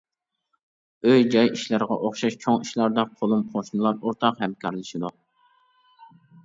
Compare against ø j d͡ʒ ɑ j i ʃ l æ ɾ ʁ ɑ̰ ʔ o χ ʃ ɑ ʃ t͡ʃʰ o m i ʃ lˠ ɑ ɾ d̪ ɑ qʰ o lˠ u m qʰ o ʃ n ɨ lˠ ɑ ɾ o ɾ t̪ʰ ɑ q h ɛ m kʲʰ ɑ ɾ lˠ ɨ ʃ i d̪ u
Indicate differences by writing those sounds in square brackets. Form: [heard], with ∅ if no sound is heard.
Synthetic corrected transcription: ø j d͡ʒ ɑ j i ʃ l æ ɾ ʁ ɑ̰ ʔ o χ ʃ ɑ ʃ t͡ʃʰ o [ŋ] i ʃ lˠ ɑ ɾ d̪ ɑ qʰ o lˠ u m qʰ o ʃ n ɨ lˠ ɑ ɾ o ɾ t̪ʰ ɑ q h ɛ m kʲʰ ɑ ɾ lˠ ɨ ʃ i d̪ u